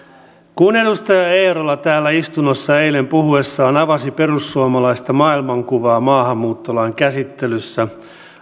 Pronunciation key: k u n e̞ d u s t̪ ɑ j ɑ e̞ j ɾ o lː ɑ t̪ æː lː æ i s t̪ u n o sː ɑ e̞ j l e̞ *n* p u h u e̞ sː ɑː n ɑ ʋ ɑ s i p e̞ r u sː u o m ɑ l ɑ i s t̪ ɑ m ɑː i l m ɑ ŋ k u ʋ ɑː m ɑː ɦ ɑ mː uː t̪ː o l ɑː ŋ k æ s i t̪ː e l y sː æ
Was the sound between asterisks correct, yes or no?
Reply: no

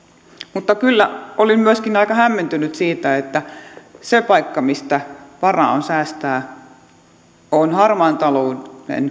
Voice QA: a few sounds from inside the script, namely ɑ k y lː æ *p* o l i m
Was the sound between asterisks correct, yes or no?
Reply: no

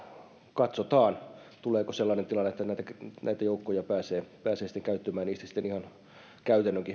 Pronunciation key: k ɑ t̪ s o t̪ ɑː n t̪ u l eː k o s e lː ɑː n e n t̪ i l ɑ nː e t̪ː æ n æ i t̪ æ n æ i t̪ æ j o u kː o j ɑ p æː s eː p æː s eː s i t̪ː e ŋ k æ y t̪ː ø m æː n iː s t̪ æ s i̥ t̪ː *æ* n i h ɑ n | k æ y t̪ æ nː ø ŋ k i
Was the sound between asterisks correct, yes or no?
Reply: no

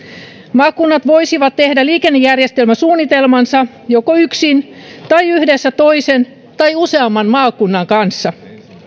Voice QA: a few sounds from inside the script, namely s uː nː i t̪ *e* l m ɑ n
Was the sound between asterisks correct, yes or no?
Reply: yes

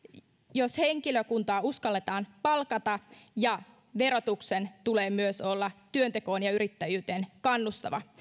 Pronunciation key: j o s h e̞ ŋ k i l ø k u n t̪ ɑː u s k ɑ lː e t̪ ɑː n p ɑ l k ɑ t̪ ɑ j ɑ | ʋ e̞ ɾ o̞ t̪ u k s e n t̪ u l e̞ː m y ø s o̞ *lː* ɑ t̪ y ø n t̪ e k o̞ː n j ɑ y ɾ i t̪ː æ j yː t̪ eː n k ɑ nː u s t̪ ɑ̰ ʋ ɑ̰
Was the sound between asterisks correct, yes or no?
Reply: yes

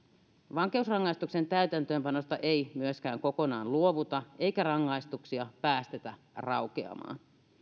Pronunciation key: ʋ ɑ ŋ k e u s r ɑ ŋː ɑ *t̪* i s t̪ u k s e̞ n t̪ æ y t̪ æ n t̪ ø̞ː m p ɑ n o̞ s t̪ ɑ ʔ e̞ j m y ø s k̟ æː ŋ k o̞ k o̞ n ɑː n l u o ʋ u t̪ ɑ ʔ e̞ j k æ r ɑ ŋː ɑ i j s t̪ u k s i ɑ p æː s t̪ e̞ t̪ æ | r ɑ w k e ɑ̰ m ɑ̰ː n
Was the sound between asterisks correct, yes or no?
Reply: no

